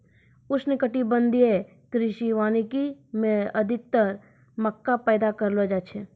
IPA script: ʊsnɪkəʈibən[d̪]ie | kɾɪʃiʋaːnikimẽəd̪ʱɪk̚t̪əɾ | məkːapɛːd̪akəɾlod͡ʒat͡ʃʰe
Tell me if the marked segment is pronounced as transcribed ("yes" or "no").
yes